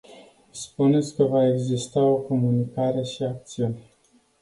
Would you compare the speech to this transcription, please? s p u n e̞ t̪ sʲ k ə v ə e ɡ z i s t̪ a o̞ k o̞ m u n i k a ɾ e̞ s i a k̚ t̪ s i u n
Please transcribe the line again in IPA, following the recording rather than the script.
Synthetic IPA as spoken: s p u n e̞ t̪ sʲ k ə v a e ɡ z i s t̪ a o̞ k o̞ m u n i k a ɾ e̞ ʃ i a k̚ t̪ s i u n